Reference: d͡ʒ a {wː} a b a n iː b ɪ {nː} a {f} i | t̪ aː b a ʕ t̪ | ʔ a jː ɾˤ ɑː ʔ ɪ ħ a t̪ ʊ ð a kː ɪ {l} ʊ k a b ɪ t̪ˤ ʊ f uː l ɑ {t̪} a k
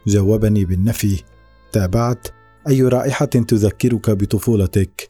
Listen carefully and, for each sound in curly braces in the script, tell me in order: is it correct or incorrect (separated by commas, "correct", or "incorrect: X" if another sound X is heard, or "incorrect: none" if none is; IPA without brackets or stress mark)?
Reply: correct, correct, correct, incorrect: ɾ, correct